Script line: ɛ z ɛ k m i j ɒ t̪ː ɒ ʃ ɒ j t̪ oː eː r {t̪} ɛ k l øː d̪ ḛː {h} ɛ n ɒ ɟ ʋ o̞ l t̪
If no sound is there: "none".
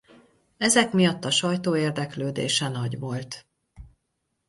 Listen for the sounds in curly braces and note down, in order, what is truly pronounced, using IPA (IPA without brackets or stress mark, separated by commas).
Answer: d̪, ʃ